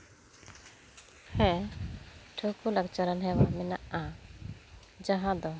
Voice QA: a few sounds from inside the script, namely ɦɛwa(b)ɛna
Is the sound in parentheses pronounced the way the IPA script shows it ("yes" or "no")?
no